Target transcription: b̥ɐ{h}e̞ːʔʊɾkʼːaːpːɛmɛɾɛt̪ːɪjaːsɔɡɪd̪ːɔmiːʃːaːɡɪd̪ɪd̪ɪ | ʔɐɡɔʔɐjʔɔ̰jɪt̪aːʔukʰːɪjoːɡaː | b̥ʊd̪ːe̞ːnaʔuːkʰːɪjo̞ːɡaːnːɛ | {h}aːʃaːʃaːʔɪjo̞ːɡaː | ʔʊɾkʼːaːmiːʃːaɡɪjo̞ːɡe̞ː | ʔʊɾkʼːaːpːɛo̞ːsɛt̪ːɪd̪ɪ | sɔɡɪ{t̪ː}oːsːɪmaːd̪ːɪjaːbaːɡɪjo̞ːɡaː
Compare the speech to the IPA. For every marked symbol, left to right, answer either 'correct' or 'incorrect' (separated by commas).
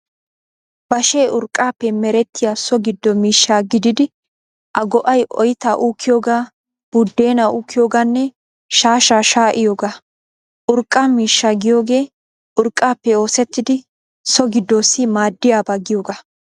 incorrect, incorrect, incorrect